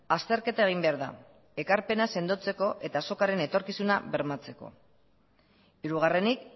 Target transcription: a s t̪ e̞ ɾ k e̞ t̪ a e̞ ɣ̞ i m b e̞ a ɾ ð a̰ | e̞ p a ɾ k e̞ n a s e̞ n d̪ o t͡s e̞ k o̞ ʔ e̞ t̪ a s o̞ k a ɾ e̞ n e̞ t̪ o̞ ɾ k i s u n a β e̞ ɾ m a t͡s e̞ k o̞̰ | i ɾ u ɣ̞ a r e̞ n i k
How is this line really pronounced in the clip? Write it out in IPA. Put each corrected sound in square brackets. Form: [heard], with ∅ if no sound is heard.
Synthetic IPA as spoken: a s t̪ e̞ ɾ k e̞ t̪ a e̞ ɣ̞ i m b e̞ a ɾ ð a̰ | e̞ [k] a ɾ [p] e̞ n a s e̞ n d̪ o t͡s e̞ k o̞ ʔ e̞ t̪ a s o̞ k a ɾ e̞ n e̞ t̪ o̞ ɾ k i s u n a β e̞ ɾ m a t͡s e̞ k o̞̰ | i ɾ u ɣ̞ a r e̞ n i k